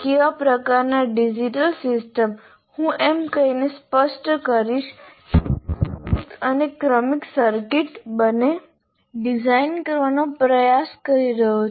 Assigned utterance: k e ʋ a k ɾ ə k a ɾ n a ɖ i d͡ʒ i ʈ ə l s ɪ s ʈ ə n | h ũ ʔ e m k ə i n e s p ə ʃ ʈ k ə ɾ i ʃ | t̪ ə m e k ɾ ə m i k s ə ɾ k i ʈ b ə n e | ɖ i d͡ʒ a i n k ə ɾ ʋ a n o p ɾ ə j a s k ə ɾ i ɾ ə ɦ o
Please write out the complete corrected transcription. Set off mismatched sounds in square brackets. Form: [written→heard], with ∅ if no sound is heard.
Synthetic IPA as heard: k e ʋ a [k→p] ɾ ə k a ɾ n a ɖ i d͡ʒ i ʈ ə l s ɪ s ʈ ə [n→m] | h ũ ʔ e m k ə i n e s p ə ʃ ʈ k ə ɾ i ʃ | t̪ ə [m→n] e k ɾ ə m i k s ə ɾ k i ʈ b ə n e | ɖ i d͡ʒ a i n k ə ɾ ʋ a n o p ɾ ə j a s k ə ɾ i ɾ ə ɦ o